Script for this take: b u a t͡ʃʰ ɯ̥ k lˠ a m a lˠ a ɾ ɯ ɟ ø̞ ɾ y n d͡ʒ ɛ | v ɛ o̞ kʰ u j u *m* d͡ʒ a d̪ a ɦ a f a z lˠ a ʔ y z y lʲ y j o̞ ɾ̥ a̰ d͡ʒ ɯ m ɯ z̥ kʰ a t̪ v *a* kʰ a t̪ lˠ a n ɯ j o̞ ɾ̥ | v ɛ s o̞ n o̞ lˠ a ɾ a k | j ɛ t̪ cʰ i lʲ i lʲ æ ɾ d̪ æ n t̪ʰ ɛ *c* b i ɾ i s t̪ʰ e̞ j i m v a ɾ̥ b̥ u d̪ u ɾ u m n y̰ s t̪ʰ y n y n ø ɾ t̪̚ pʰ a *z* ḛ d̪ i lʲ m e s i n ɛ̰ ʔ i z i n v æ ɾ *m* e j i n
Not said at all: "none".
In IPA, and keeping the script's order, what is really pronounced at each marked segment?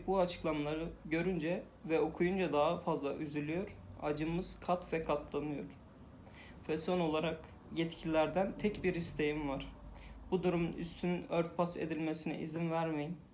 n, ɛ, c, s, m

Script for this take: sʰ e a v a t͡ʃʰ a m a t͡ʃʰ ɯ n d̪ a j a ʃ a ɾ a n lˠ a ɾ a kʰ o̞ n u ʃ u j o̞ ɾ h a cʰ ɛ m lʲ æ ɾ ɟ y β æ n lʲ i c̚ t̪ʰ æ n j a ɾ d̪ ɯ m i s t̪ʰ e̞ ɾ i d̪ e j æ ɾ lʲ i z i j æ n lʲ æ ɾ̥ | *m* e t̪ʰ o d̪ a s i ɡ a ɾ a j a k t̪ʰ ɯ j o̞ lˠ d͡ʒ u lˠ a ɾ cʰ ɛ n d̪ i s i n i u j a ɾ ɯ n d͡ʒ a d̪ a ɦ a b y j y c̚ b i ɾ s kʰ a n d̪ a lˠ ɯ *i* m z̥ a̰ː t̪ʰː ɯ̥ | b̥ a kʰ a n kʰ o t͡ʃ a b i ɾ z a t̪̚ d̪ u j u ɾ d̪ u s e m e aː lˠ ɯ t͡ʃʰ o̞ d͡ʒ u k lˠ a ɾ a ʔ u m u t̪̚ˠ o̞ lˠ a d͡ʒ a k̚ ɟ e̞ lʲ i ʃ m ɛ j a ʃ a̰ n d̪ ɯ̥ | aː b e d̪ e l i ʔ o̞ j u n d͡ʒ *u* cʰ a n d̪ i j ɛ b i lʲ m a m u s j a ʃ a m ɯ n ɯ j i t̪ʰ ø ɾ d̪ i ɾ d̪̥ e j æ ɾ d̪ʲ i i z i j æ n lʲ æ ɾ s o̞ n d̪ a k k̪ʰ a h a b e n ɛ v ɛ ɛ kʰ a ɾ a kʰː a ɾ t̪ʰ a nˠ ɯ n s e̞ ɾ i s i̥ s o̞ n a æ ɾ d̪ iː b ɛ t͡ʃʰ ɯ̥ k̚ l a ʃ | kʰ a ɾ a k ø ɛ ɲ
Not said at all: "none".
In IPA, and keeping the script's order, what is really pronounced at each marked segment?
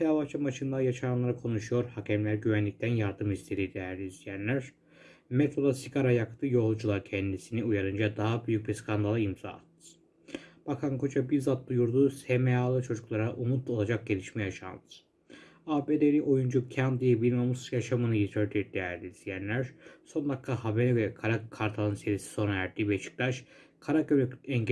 m, i, u

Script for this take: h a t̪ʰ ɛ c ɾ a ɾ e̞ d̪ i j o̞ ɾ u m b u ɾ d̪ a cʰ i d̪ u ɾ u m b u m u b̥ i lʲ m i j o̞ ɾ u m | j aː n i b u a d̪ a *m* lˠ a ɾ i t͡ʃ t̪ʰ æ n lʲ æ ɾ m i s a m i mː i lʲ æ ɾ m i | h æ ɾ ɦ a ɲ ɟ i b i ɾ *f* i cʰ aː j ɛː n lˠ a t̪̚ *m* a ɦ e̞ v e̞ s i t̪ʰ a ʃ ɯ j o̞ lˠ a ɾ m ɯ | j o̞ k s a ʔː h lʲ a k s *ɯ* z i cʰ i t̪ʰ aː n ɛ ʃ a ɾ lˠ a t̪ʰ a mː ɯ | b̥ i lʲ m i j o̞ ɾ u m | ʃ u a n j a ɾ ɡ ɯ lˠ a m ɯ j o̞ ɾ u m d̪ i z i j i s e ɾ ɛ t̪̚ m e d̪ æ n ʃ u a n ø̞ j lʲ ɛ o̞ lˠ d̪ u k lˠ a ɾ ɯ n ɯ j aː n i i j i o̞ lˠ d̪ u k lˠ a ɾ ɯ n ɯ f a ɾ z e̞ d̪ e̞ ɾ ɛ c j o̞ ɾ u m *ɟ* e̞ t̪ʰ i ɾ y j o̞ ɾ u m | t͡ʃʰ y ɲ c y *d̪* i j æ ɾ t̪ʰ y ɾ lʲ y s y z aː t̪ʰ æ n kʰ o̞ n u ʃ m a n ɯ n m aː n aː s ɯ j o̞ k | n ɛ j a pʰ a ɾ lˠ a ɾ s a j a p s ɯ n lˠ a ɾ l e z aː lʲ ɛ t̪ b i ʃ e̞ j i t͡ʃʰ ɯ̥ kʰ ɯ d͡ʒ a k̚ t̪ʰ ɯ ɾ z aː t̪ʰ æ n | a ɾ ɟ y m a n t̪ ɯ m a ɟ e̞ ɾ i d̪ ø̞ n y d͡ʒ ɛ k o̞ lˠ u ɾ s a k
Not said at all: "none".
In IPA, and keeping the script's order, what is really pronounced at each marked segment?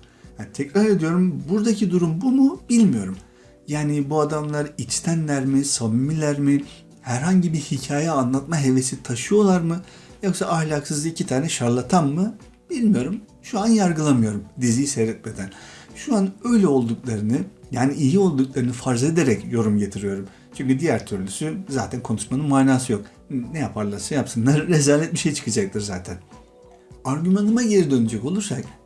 m, h, m, ɯ, ɟ, d̪

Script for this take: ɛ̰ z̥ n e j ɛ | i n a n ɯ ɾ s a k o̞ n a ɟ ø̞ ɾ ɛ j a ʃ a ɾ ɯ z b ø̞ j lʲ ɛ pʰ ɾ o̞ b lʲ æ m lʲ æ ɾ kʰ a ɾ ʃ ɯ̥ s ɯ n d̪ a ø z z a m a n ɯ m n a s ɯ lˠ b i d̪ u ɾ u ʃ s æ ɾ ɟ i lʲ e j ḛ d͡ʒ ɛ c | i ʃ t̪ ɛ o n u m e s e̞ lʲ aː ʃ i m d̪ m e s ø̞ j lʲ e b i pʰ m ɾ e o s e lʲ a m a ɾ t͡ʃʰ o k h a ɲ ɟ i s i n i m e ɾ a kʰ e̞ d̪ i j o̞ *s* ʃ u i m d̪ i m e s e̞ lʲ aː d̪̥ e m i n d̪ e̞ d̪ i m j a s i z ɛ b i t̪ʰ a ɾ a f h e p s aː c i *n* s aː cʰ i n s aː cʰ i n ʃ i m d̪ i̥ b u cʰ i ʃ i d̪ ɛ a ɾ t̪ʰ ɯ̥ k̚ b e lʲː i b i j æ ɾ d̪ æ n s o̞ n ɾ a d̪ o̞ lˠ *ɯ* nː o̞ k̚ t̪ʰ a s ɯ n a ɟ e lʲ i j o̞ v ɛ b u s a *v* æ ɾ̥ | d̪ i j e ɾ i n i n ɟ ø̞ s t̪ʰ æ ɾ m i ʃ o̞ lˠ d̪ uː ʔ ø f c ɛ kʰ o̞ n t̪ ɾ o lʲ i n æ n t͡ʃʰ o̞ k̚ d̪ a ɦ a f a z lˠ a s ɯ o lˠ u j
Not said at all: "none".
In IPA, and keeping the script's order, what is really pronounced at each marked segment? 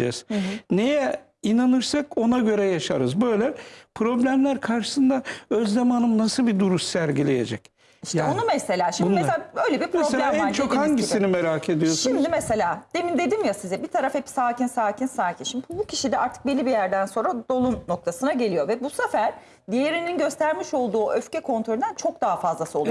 s, n, u, f

